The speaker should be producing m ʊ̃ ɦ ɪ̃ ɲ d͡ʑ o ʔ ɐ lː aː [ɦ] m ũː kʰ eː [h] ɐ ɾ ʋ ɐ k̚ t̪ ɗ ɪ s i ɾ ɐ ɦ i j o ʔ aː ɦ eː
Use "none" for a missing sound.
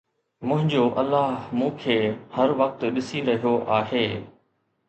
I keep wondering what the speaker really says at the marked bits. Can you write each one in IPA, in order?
ɦ, h

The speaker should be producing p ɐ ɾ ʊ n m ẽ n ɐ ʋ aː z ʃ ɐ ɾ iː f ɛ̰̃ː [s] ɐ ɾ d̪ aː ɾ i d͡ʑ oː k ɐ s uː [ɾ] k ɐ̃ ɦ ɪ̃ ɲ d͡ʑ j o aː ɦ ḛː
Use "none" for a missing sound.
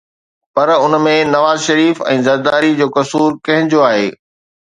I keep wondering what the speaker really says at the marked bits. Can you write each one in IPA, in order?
z, ɾ

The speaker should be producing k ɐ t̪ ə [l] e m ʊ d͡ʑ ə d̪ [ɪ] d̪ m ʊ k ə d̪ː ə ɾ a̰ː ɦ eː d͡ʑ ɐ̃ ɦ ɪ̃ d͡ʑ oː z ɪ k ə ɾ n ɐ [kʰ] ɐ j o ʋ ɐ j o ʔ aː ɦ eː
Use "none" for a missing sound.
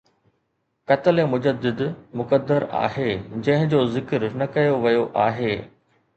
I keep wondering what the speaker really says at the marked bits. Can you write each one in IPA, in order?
l, ɪ, k

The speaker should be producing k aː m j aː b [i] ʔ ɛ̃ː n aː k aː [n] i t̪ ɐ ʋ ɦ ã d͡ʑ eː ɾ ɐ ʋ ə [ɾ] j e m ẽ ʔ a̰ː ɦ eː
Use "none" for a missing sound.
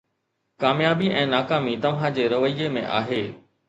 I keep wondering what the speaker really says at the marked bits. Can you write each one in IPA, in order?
i, m, none

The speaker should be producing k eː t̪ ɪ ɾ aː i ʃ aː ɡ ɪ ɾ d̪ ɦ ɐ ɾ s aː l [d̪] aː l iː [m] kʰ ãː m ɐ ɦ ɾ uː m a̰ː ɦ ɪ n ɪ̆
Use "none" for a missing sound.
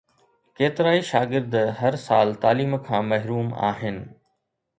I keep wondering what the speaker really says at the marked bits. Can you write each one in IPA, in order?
t̪, m

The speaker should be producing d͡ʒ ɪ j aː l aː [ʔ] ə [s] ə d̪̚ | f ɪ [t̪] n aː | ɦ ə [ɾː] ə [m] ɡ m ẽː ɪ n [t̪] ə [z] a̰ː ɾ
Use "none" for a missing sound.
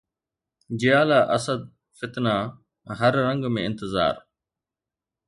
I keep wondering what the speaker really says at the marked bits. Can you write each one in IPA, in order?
ʔ, s, t̪, ɾː, ŋ, t̪, z

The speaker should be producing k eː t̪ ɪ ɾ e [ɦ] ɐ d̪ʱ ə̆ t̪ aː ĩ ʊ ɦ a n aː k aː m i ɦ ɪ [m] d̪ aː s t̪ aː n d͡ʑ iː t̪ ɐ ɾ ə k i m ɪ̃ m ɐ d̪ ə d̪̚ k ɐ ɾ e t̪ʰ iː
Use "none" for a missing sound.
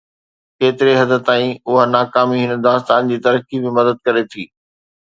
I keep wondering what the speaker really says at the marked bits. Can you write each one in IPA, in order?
ɦ, n

